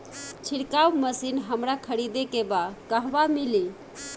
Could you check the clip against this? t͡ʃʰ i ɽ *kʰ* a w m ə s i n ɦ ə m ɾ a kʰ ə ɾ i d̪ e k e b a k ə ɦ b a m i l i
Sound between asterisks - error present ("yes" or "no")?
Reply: yes